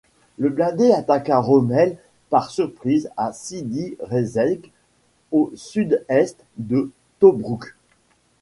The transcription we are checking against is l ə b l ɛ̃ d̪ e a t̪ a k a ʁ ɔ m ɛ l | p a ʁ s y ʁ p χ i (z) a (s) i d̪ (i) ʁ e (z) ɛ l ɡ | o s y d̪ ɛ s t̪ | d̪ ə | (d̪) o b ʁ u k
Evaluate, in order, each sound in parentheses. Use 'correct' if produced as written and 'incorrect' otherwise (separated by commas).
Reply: correct, correct, correct, correct, incorrect